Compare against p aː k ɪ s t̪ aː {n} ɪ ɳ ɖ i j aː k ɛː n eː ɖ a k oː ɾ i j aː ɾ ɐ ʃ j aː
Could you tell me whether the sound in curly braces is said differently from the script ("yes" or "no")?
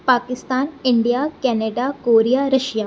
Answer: no